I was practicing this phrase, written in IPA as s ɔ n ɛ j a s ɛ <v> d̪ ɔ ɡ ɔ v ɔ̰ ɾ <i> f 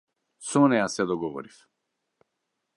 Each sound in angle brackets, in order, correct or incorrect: incorrect, correct

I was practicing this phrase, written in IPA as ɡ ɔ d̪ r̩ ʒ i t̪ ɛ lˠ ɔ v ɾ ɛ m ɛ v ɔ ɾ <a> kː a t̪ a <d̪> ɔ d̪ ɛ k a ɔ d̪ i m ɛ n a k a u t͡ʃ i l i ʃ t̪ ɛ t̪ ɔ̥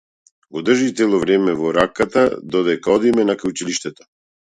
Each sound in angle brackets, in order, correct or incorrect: correct, correct

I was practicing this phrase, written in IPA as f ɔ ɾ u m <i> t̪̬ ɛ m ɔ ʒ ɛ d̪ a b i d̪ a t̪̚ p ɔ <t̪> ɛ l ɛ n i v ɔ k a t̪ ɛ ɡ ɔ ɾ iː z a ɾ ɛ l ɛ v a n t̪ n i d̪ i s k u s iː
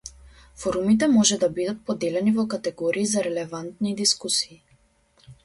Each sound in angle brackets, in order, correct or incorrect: correct, incorrect

